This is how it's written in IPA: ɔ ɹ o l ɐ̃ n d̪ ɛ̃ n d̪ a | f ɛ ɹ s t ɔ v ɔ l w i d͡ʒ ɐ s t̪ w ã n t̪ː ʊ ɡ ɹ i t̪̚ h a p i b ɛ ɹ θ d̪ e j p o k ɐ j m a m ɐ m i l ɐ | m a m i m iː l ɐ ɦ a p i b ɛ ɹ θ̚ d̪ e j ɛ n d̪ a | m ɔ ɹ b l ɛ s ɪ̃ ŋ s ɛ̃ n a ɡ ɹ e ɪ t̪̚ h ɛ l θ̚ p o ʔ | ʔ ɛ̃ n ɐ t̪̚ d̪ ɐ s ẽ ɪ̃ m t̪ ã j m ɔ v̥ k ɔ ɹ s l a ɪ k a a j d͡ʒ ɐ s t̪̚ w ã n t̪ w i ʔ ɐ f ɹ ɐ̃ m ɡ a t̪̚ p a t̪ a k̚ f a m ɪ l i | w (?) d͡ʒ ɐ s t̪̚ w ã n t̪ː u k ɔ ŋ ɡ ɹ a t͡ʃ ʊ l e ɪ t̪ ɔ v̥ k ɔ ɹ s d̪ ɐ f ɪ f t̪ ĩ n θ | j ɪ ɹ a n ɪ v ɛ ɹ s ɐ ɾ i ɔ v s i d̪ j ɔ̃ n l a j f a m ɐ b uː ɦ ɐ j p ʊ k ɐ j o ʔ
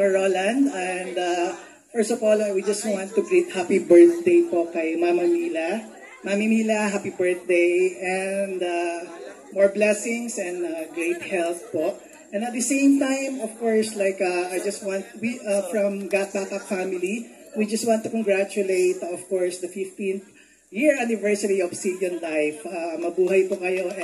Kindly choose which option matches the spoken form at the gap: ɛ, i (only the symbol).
i